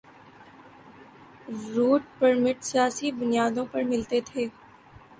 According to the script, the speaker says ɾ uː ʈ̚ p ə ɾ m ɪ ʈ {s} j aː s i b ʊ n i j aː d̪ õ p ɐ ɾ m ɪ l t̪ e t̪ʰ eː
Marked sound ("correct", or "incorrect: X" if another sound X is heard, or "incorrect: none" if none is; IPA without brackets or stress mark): correct